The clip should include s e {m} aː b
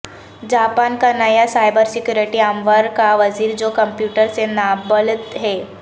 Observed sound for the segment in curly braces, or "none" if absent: n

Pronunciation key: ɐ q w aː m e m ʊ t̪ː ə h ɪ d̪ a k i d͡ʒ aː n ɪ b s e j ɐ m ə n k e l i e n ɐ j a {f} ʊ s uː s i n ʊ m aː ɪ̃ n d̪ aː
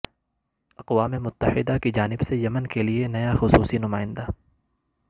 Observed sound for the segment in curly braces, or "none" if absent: x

